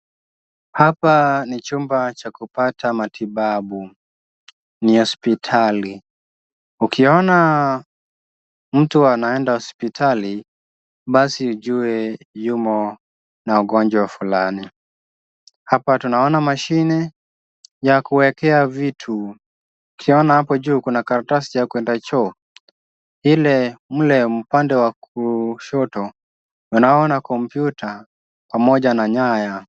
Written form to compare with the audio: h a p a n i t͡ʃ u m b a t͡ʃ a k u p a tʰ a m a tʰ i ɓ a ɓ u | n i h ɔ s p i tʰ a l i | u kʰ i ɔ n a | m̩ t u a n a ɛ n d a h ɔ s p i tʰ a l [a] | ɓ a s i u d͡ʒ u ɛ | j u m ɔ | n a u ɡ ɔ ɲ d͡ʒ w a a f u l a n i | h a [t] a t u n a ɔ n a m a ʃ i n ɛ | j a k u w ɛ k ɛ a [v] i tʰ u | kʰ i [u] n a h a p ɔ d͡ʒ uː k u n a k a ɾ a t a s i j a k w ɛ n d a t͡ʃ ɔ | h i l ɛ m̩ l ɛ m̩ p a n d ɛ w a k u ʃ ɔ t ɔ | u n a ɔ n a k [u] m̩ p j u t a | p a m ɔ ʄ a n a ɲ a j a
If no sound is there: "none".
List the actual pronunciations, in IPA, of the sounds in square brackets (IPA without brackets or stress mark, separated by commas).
i, p, v, ɔ, ɔ